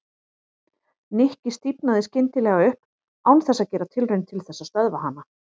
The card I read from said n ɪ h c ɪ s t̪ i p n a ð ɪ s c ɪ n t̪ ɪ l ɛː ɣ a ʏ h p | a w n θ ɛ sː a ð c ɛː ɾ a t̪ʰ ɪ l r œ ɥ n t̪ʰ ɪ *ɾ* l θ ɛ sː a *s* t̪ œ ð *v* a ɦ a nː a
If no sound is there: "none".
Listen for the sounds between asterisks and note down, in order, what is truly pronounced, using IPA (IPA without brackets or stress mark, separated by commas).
none, s, v